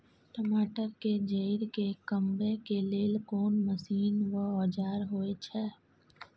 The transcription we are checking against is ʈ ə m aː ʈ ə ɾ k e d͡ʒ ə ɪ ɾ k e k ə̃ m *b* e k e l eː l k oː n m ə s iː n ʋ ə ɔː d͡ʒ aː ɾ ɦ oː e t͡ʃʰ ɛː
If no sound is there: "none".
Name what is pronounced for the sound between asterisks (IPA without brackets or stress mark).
b